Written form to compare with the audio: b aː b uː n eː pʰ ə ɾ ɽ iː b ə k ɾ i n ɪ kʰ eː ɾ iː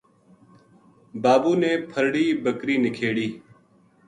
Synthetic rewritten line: b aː b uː n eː pʰ ə ɾ ɽ iː b ə k ɾ iː n ɪ kʰ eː ɽ iː